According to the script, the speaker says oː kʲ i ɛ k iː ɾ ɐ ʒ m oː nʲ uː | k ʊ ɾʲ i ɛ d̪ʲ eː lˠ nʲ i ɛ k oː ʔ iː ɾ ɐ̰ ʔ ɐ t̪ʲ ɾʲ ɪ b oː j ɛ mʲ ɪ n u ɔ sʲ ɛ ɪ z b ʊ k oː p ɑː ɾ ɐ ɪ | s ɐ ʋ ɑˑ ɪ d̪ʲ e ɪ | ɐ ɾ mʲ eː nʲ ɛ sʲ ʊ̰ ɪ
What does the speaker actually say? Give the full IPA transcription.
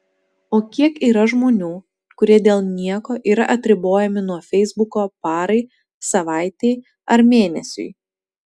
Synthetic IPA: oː kʲ i ɛ k iː ɾ ɐ ʒ m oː nʲ uː | k ʊ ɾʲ i ɛ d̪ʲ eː lˠ nʲ i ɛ k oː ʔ iː ɾ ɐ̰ ʔ ɐ t̪ʲ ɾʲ ɪ b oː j ɛ mʲ ɪ n u ɔ fʲ ɛ ɪ z b ʊ k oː p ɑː ɾ ɐ ɪ | s ɐ ʋ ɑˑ ɪ t̪ʲ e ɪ | ɐ ɾ mʲ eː nʲ ɛ sʲ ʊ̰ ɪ